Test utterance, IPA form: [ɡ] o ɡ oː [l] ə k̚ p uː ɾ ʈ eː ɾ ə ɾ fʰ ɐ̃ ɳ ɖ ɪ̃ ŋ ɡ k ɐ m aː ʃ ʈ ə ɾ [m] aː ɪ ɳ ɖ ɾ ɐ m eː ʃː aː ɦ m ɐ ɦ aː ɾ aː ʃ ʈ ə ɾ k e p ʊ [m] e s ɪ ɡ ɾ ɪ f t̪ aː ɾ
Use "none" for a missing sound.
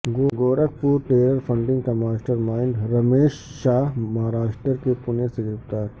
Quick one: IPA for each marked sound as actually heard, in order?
ɡ, ɾ, m, n

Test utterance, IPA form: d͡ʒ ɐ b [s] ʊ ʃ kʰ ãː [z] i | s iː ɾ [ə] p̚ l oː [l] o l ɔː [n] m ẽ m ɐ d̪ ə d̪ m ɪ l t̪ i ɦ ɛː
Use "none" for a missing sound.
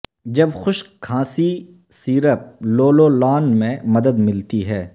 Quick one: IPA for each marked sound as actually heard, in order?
x, s, ə, l, n

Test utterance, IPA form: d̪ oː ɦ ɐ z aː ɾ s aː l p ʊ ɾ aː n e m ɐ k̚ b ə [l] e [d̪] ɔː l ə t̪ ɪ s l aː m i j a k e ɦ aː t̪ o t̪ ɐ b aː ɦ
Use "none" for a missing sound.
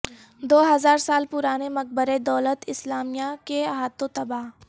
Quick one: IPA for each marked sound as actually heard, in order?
ɾ, d̪

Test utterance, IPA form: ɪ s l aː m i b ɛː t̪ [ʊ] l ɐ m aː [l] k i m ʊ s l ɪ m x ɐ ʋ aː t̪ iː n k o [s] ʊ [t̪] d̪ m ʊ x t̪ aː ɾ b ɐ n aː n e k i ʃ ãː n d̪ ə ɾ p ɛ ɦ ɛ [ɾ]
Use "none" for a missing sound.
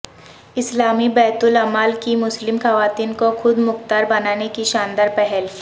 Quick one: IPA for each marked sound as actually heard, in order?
ʊ, l, x, none, l

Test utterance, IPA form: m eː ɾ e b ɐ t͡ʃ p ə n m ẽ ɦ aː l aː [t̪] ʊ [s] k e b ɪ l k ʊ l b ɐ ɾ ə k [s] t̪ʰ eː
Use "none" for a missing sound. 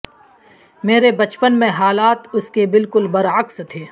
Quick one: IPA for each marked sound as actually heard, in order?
t̪, s, s

